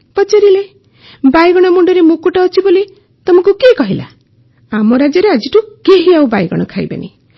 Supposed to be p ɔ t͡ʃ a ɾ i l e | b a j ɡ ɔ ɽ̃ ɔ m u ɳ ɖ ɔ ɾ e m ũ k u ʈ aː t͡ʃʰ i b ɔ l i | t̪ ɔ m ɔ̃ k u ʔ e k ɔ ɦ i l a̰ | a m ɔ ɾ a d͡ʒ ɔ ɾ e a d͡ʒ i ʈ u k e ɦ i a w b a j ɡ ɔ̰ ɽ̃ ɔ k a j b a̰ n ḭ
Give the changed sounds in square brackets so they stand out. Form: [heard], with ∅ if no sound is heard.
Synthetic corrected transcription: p ɔ t͡ʃ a ɾ i l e | b a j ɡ ɔ ɽ̃ ɔ m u ɳ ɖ ɔ ɾ e m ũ k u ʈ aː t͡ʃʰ i b [o] l i | t̪ ɔ m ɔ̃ k u [k] e k ɔ ɦ i l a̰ | a m ɔ ɾ a d͡ʒ ɔ ɾ e a d͡ʒ i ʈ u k e ɦ i a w b a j ɡ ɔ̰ ɽ̃ ɔ [kʰ] a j b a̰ n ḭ

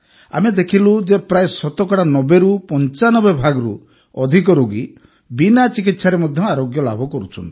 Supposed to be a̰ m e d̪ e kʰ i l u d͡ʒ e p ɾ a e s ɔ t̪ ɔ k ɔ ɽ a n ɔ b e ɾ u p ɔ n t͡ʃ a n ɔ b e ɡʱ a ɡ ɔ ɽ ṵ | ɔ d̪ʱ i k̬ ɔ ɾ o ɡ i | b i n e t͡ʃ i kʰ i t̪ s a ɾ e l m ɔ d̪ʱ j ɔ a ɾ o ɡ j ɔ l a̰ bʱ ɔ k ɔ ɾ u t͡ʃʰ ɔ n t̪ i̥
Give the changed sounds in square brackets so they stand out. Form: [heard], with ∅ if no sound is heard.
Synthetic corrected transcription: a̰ m e d̪ e kʰ i l u d͡ʒ e p ɾ a e s ɔ t̪ ɔ k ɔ ɽ a n ɔ b e ɾ u p ɔ n t͡ʃ a n ɔ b e [bʱ] a ɡ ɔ [ɾ] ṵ | ɔ d̪ʱ i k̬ ɔ ɾ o ɡ i | b i n [a] t͡ʃ i [k] i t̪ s a ɾ e [∅] m ɔ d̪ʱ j ɔ a ɾ o ɡ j ɔ l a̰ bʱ ɔ k ɔ ɾ u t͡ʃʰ ɔ n t̪ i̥

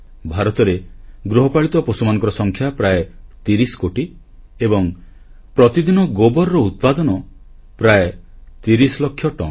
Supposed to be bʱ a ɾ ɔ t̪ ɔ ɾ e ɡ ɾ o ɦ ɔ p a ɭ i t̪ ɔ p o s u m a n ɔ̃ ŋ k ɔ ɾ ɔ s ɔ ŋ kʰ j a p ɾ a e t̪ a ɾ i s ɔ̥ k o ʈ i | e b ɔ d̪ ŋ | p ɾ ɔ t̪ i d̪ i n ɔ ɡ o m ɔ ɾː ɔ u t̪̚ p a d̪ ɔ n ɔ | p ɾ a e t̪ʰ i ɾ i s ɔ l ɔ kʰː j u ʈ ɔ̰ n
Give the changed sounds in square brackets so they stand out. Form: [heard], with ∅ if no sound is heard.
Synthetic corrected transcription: bʱ a ɾ ɔ t̪ ɔ ɾ e ɡ ɾ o ɦ ɔ p a ɭ i t̪ ɔ p o s u m a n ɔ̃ ŋ k ɔ ɾ ɔ s ɔ ŋ kʰ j a p ɾ a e t̪ [i] ɾ i s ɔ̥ k o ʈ i | e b ɔ [∅] ŋ | p ɾ ɔ t̪ i d̪ i n ɔ ɡ o [b] ɔ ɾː ɔ u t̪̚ p a d̪ ɔ n ɔ | p ɾ a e [t̪] i ɾ i s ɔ l ɔ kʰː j [ɔ] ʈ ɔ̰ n

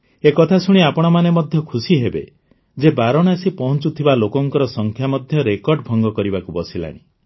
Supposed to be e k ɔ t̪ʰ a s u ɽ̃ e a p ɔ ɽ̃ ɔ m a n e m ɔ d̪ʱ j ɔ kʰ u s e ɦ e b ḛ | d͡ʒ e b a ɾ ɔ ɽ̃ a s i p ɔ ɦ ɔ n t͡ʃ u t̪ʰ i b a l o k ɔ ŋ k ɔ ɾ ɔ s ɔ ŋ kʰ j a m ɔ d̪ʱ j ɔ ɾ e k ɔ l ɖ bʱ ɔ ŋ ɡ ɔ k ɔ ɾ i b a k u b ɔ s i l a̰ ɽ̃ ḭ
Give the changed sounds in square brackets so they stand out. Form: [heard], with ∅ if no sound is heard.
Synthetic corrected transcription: e k ɔ t̪ʰ a s u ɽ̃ [i] a p ɔ ɽ̃ ɔ m a n e m ɔ d̪ʱ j ɔ kʰ u s [i] ɦ e b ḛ | d͡ʒ e b a ɾ ɔ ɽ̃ a s i p ɔ ɦ ɔ n t͡ʃ u t̪ʰ i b a l o k ɔ ŋ k ɔ ɾ ɔ s ɔ ŋ kʰ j a m ɔ d̪ʱ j ɔ ɾ e k ɔ [ɾ] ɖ bʱ ɔ ŋ ɡ ɔ k ɔ ɾ i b a k u b ɔ s i l a̰ ɽ̃ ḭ

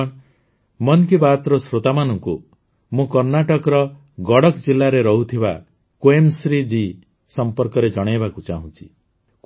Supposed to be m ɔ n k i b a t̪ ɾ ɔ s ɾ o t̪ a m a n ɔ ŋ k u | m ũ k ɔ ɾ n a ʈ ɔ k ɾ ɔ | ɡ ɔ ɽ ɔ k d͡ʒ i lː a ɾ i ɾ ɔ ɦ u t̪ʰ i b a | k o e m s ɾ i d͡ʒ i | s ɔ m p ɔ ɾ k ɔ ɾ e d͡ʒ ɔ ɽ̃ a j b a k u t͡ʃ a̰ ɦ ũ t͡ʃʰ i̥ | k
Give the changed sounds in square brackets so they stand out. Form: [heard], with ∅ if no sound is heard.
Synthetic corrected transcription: m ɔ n k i b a t̪ ɾ ɔ s ɾ o t̪ a m a n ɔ ŋ k u | m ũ k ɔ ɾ n a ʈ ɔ k ɾ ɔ | ɡ ɔ ɽ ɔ k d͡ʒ i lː a ɾ [e] ɾ ɔ ɦ u t̪ʰ i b a | k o e m s ɾ i d͡ʒ i | s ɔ m p ɔ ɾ k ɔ ɾ e d͡ʒ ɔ ɽ̃ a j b a k u t͡ʃ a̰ ɦ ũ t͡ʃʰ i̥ | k

